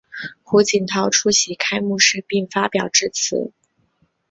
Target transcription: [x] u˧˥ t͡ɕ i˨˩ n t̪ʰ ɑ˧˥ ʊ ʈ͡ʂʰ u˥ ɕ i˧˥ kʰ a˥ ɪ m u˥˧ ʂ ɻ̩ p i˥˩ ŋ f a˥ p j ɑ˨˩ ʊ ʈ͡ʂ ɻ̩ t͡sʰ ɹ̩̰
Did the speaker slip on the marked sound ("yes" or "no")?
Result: no